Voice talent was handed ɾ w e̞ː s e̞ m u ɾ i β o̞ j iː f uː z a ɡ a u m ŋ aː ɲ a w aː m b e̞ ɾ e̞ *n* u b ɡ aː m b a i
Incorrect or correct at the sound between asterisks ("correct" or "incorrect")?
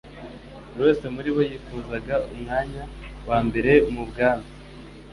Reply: incorrect